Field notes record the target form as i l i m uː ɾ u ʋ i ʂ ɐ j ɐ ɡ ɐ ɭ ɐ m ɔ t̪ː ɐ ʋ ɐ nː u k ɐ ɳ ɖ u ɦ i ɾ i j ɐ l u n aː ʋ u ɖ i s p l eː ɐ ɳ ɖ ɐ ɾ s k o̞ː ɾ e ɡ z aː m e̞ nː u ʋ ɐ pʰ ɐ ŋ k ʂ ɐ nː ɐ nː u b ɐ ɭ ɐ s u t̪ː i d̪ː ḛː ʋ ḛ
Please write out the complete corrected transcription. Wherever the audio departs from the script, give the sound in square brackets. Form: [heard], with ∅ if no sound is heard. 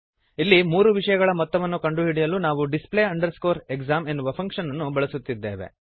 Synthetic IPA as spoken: i [lː] i m uː ɾ u ʋ i ʂ ɐ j ɐ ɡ ɐ ɭ ɐ m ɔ t̪ː ɐ ʋ ɐ nː u k ɐ ɳ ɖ u ɦ i [ɽ] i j ɐ l u n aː ʋ u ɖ i s p l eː ɐ ɳ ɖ ɐ ɾ s k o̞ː ɾ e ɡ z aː m e̞ nː u ʋ ɐ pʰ ɐ ŋ k ʂ ɐ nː ɐ nː u b ɐ ɭ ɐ s u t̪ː i d̪ː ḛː ʋ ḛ